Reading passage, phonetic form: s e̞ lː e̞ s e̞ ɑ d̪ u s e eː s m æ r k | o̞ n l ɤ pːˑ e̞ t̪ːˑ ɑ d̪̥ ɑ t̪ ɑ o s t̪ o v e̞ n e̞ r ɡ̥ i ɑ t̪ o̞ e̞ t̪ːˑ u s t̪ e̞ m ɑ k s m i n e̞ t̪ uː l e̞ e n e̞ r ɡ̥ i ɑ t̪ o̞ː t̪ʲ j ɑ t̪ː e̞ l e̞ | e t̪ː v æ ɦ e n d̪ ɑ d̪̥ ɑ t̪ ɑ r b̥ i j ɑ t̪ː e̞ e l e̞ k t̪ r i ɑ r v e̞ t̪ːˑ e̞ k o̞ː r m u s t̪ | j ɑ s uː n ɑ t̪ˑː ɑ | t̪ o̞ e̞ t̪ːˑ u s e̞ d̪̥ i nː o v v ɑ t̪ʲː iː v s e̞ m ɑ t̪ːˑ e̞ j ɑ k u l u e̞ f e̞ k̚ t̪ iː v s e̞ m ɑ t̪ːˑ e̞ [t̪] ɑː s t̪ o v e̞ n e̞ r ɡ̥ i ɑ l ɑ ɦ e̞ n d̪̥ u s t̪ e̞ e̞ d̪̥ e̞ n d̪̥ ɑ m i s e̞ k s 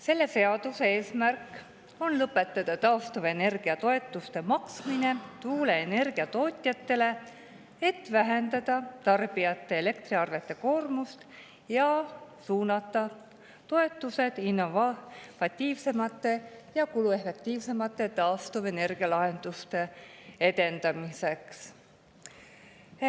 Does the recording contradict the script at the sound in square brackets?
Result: no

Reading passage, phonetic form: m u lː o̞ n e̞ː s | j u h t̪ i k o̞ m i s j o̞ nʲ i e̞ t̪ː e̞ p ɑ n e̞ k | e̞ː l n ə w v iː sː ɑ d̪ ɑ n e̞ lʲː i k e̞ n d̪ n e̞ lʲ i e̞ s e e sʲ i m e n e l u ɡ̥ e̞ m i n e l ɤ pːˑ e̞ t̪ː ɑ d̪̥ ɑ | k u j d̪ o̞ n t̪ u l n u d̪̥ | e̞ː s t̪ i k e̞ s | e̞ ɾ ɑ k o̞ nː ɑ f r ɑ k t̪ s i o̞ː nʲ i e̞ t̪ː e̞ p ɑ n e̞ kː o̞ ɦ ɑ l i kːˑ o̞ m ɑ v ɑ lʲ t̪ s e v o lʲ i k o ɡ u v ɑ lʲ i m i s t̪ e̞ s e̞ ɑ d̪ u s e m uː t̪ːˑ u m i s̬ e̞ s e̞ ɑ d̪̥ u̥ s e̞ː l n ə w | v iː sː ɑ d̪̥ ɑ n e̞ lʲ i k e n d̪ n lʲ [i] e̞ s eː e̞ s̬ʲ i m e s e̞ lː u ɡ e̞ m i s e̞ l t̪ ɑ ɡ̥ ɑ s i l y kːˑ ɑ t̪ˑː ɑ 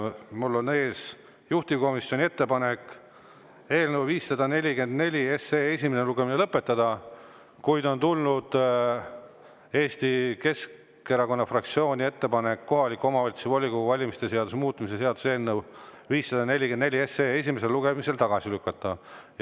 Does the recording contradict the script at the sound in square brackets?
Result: no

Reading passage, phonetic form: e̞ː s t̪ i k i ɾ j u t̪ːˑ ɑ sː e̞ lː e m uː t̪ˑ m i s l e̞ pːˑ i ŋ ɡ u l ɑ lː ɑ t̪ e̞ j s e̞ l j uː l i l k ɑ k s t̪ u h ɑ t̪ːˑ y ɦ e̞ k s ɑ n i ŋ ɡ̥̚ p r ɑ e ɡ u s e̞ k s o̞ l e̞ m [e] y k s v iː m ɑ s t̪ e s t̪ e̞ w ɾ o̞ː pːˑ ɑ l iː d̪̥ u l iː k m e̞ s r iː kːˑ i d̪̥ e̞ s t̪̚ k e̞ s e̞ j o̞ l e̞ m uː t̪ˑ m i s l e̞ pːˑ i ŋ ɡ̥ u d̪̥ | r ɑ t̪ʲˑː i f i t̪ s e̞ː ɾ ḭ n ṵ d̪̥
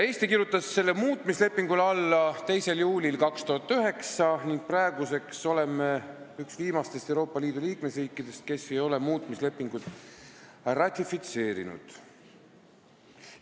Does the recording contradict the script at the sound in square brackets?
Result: no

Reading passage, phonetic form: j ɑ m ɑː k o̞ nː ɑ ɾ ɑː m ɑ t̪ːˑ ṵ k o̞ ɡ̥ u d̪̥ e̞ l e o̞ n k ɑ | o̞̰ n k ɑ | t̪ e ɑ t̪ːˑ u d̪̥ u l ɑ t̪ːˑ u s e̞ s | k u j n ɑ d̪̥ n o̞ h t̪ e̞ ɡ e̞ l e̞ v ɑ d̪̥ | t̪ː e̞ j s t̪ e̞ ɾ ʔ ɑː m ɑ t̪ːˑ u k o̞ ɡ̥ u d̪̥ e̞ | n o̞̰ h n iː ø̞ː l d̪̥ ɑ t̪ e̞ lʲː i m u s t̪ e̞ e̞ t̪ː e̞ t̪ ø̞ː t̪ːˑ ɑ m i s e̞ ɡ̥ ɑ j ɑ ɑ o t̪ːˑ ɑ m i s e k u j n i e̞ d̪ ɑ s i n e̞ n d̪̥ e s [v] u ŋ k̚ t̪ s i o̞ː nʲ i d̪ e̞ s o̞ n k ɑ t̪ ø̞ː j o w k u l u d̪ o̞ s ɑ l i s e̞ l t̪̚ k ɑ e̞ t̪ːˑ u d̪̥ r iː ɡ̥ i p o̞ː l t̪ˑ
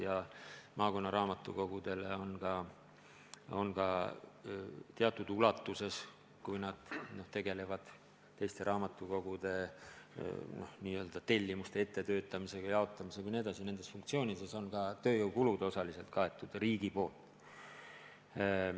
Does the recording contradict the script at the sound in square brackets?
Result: yes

